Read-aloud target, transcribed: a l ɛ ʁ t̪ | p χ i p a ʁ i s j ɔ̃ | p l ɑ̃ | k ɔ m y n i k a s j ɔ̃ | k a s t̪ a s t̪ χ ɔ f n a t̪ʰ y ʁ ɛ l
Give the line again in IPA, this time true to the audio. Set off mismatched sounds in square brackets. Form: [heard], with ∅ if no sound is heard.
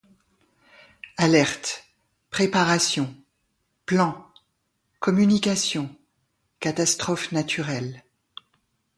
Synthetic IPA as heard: a l ɛ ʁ t̪ | p χ [e] p a ʁ [a] s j ɔ̃ | p l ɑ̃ | k ɔ m y n i k a s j ɔ̃ | k a [∅] t̪ a s t̪ χ ɔ f n a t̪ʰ y ʁ ɛ l

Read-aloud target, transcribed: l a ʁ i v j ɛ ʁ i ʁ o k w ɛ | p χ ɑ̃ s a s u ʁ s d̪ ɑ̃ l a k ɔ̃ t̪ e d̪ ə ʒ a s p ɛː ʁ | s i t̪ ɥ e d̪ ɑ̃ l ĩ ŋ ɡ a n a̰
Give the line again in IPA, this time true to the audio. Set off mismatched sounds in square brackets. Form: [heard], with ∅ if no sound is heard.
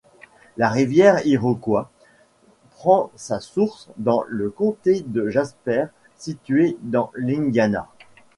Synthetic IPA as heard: l a ʁ i v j ɛ ʁ i ʁ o k w [a] | p χ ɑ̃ s a s u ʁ s d̪ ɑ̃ l [ə] k ɔ̃ t̪ e d̪ ə ʒ a s p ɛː ʁ | s i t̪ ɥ e d̪ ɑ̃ l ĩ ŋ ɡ a n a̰

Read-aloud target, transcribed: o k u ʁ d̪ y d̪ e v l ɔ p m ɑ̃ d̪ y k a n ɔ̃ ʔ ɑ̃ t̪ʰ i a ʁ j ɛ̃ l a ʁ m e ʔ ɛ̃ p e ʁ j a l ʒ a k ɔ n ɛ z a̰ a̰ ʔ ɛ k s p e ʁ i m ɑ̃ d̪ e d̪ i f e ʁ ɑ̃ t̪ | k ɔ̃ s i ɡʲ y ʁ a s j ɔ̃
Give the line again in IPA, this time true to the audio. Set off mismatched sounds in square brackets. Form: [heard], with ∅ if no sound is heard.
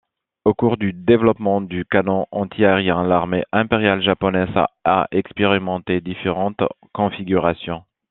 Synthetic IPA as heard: o k u ʁ d̪ y d̪ e v l ɔ p m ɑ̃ d̪ y k a n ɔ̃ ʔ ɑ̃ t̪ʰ i a ʁ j ɛ̃ l a ʁ m e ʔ ɛ̃ p e ʁ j a l ʒ a [p] ɔ n ɛ z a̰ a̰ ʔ ɛ k s p e ʁ i m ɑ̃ [t̪] e d̪ i f e ʁ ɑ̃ t̪ | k ɔ̃ [f] i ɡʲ y ʁ a s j ɔ̃

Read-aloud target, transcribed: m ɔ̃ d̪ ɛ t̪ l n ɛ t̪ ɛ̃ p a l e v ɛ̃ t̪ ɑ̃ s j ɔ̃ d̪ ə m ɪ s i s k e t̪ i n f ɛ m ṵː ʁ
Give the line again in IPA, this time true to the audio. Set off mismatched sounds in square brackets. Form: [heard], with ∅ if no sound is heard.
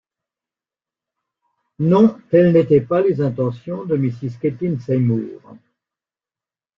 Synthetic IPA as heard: [n] ɔ̃ [t̪] ɛ [∅] l n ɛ t̪ [ɛ] p a l e [z] ɛ̃ t̪ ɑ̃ s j ɔ̃ d̪ ə m [i] s i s k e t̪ i n [s] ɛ m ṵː ʁ

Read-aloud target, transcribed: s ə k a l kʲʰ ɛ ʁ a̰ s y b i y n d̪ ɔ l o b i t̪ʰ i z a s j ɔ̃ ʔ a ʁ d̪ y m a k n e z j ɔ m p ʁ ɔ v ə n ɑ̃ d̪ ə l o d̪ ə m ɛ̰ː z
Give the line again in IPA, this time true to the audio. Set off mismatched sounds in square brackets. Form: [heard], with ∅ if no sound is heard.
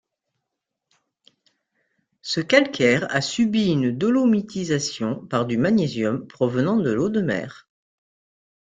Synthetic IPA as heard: s ə k a l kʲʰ ɛ ʁ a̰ s y b i y n d̪ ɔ l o [m] i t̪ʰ i z a s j ɔ̃ [p] a ʁ d̪ y m a [∅] n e z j ɔ m p [χ] ɔ v ə n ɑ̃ d̪ ə l o d̪ ə m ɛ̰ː [ʁ]

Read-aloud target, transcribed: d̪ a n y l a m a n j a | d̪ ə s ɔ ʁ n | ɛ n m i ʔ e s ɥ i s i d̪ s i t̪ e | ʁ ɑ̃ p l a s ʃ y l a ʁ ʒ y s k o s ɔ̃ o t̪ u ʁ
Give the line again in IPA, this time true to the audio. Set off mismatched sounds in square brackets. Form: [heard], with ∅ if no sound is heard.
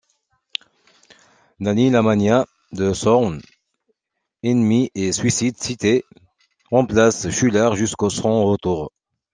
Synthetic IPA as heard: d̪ a n [i] l a m a n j a | d̪ ə s ɔ ʁ n | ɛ n m i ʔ e s ɥ i s i d̪ s i t̪ e | ʁ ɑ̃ p l a s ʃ y l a ʁ ʒ y s k o s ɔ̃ o t̪ u ʁ

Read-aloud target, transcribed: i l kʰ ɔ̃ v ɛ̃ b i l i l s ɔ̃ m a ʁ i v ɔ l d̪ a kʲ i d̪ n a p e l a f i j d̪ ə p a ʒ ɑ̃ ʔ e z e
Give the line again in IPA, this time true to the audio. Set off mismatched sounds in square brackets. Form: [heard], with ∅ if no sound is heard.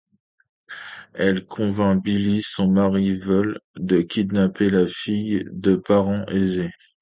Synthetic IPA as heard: [ɛ] l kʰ ɔ̃ v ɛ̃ b i l i [∅] s ɔ̃ m a ʁ i v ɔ l d̪ [ə] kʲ i d̪ n a p e l a f i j d̪ ə p a [ʁ] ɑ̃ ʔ e z e

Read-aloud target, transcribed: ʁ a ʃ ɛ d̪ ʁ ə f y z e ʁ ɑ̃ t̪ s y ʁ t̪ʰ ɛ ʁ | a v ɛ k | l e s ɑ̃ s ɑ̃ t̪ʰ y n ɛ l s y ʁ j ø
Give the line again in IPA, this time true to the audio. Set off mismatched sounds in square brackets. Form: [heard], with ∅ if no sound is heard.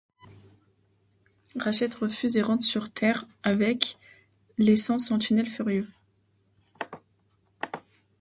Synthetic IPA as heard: ʁ a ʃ ɛ [t̪] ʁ ə f y z e ʁ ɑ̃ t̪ s y ʁ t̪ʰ ɛ ʁ | a v ɛ k | l e s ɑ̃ s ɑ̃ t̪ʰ y n ɛ l [f] y ʁ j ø

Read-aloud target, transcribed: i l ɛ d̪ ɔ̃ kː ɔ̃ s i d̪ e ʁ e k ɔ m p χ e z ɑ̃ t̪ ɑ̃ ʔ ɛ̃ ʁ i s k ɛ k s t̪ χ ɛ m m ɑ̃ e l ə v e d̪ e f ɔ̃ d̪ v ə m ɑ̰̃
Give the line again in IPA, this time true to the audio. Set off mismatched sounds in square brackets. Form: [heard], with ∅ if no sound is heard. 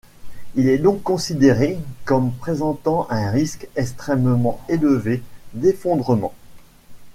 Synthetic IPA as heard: i l ɛ d̪ ɔ̃ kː ɔ̃ s i d̪ e ʁ e k ɔ m p χ e z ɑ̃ t̪ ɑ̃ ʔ ɛ̃ ʁ i s k ɛ k s t̪ χ ɛ m m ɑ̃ e l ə v e d̪ e f ɔ̃ d̪ [ʁ] ə m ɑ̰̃

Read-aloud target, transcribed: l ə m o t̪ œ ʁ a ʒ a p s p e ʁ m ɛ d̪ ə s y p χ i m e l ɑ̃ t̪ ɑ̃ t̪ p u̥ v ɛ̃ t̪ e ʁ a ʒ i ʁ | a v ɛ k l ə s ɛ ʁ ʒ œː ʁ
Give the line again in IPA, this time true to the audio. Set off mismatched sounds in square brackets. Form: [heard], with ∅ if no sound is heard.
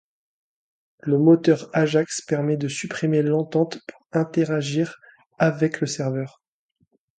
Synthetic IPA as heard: l ə m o t̪ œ ʁ a ʒ a [k] s p [ɛ] ʁ m ɛ d̪ ə s y p χ i m e l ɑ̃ t̪ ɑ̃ t̪ p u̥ [ʁ] ɛ̃ t̪ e ʁ a ʒ i ʁ | a v ɛ k l ə s ɛ ʁ [v] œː ʁ

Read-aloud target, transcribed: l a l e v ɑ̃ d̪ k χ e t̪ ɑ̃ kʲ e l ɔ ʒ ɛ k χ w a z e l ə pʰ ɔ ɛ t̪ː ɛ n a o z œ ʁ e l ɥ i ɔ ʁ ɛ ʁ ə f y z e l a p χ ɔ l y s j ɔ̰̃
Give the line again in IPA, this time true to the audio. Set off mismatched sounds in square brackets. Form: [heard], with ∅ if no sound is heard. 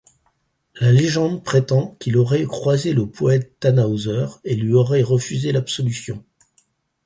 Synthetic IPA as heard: l a l e [ʒ] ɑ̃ d̪ [p] χ e t̪ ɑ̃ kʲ [i] l ɔ [ʁ] ɛ k χ w a z e l ə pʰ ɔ ɛ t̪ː [a] n a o z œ ʁ e l ɥ i ɔ ʁ ɛ ʁ ə f y z e l a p [s] ɔ l y s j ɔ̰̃

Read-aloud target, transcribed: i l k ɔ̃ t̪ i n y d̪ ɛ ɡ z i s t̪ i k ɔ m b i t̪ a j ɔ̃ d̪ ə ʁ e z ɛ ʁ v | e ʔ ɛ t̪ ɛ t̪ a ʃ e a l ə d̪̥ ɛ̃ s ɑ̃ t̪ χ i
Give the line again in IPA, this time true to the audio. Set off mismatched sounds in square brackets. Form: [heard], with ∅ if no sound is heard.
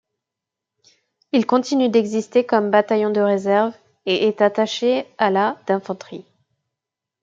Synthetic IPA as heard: i l k ɔ̃ t̪ i n y d̪ ɛ ɡ z i s t̪ [e] k ɔ m b [a] t̪ a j ɔ̃ d̪ ə ʁ e z ɛ ʁ v | e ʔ ɛ t̪ [a] t̪ a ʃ e a l [a] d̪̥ ɛ̃ [f] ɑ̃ t̪ χ i

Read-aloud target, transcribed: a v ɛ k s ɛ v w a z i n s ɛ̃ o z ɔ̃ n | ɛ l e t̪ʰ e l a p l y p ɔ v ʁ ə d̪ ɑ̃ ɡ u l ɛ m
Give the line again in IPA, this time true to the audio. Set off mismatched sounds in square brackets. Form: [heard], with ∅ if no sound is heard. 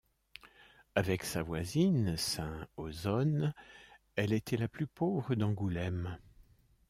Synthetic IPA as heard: a v ɛ k s [a] v w a z i n s ɛ̃ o z [ɔ] n | ɛ l e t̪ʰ [ɛ] l a p l y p [o] v ʁ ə d̪ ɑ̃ ɡ u l ɛ m

